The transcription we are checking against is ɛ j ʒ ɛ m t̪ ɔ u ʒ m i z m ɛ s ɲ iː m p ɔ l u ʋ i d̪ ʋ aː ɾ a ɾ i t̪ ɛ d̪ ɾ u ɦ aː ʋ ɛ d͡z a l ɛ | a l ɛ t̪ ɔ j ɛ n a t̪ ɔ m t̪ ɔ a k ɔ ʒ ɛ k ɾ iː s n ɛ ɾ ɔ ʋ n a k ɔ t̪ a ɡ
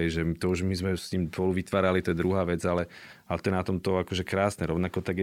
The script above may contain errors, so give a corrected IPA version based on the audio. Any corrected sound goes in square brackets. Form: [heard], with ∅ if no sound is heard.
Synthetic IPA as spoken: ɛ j ʒ ɛ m t̪ ɔ u ʒ m i z m ɛ s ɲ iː m p ɔ l u ʋ i [t̪] ʋ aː ɾ a [l] i t̪ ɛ d̪ ɾ u ɦ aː ʋ ɛ d͡z a l ɛ | a l ɛ t̪ ɔ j ɛ n a t̪ ɔ m t̪ ɔ a k ɔ ʒ ɛ k ɾ [aː] s n ɛ ɾ ɔ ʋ n a k ɔ t̪ a ɡ